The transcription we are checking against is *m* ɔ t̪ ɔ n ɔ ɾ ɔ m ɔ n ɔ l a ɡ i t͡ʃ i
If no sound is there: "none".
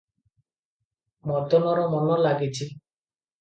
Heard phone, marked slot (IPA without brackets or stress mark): m